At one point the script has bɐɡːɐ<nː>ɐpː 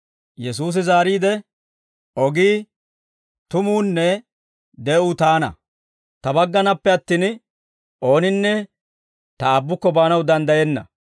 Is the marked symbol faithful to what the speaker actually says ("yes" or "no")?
no